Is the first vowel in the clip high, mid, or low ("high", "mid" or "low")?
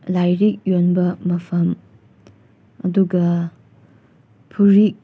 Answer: low